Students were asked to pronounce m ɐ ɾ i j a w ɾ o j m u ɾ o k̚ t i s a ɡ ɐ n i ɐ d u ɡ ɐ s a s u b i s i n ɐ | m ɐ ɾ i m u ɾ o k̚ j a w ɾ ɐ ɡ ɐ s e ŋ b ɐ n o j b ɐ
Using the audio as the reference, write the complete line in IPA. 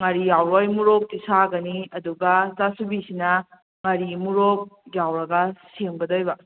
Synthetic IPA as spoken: ŋ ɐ ɾ i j a w ɾ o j m u ɾ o k̚ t i s a ɡ ɐ n i ɐ d u ɡ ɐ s a s u b i s i n ɐ | ŋ ɐ ɾ i m u ɾ o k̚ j a w ɾ ɐ ɡ ɐ s e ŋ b ɐ d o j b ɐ